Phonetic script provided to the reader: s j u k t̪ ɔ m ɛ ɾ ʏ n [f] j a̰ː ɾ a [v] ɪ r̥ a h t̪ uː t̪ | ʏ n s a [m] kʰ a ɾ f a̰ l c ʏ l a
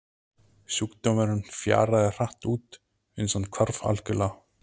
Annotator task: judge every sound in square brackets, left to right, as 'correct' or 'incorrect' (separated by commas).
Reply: correct, incorrect, incorrect